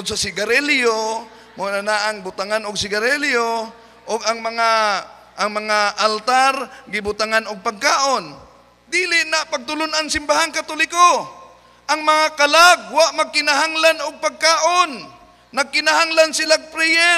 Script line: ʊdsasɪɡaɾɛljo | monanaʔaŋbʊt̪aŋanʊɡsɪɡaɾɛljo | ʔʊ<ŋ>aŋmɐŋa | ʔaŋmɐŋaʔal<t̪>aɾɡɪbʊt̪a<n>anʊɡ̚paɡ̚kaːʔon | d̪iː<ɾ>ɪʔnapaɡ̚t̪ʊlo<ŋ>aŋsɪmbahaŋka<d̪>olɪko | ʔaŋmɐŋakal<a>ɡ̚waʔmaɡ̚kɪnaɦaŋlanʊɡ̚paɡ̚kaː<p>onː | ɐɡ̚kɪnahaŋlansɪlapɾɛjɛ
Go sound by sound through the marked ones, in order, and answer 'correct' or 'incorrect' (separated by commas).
incorrect, correct, incorrect, incorrect, incorrect, incorrect, correct, incorrect